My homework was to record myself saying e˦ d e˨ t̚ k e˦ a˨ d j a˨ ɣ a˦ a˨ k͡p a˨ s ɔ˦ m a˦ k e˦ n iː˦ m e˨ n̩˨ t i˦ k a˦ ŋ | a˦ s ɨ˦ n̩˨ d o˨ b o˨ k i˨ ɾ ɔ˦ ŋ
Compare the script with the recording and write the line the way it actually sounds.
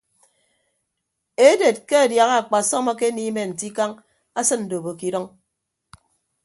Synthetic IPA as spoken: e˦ d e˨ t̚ k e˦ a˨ d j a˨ ɣ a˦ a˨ k͡p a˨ s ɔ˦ m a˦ k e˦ n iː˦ m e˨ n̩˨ t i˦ k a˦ ŋ | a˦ s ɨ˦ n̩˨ d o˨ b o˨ k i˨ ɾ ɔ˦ ŋ

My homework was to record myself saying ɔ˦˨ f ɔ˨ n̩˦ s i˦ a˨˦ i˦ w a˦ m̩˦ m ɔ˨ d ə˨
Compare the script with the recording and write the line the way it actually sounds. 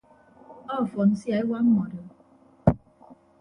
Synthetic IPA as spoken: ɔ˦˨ f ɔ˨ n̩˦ s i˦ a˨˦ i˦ w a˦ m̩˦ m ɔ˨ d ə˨

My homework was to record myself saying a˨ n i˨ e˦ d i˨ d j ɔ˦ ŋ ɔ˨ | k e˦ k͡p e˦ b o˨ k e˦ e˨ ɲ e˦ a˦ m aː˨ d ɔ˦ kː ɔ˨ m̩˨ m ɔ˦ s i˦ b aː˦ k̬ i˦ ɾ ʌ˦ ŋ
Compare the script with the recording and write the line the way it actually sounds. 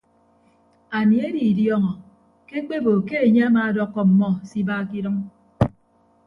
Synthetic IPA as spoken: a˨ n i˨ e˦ d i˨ d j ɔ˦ ŋ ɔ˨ | k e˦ k͡p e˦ b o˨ k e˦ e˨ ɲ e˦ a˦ m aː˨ d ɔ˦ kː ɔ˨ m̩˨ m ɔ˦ s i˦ b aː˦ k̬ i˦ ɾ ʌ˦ ŋ

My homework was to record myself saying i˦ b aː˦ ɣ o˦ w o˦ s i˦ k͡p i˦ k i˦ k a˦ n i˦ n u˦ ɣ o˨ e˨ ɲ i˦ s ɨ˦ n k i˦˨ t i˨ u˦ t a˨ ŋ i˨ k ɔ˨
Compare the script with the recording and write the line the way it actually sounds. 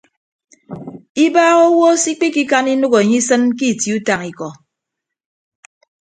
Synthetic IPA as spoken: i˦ b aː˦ ɣ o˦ w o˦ s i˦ k͡p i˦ k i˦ k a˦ n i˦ n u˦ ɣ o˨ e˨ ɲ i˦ s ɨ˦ n k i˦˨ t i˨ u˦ t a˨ ŋ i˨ k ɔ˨

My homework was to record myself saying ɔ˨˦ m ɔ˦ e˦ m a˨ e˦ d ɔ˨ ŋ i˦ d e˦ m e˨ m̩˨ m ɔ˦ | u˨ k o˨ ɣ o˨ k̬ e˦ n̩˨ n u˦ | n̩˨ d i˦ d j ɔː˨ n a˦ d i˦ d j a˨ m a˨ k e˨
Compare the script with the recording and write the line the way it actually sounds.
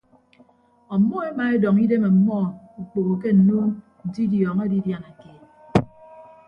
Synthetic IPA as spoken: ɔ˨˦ m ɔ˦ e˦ m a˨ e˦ d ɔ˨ ŋ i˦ d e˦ m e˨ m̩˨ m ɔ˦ | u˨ k͡p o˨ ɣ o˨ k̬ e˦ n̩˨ n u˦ | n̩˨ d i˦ d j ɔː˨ ŋ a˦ d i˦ d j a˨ n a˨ k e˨

